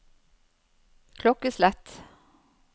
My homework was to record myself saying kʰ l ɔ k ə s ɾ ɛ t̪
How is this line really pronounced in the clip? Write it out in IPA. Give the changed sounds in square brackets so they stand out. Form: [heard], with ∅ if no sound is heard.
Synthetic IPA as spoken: kʰ l ɔ k ə s [l] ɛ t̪